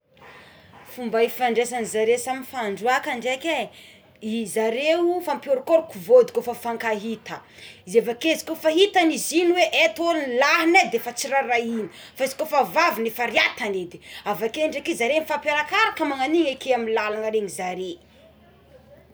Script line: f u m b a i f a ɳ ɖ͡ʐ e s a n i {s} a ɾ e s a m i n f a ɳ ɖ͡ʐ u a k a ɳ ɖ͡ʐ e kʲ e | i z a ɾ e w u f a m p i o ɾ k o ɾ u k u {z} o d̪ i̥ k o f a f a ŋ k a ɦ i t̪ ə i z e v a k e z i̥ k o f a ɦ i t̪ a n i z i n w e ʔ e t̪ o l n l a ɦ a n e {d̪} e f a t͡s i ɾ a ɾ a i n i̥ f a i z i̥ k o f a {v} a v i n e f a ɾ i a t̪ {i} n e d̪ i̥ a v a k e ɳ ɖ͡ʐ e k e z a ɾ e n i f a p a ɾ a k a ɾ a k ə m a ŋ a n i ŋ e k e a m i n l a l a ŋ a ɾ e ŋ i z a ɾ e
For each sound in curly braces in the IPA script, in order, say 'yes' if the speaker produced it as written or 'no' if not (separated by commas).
no, no, yes, yes, no